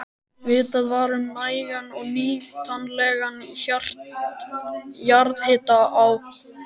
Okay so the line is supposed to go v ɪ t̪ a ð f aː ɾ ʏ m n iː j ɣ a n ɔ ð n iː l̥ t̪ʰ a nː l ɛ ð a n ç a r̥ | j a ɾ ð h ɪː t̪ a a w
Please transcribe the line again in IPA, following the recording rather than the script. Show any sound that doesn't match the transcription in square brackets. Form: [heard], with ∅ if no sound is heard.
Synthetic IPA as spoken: v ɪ t̪ a ð [v] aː ɾ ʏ m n [aː] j ɣ a n ɔ [ɣ] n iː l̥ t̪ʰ a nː l ɛ [ɣ] a n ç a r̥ | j a ɾ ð h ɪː t̪ a a w